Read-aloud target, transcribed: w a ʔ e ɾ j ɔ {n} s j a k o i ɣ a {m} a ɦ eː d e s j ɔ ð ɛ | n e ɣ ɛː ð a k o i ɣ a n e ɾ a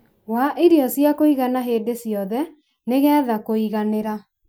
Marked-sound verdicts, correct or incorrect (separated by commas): incorrect, incorrect